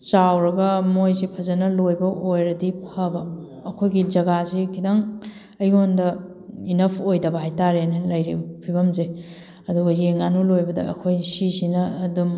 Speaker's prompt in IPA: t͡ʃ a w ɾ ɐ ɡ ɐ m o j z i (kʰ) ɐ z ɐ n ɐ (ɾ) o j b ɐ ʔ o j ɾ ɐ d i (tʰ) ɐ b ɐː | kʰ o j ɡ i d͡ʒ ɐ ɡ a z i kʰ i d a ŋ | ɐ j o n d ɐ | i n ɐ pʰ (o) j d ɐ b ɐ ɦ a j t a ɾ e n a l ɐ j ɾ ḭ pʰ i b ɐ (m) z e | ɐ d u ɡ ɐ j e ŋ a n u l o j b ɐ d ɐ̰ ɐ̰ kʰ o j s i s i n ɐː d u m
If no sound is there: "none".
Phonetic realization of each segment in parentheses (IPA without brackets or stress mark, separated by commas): pʰ, l, pʰ, o, m